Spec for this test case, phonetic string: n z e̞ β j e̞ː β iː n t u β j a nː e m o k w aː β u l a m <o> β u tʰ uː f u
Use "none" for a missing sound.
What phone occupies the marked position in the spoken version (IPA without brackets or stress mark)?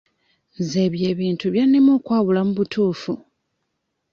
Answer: u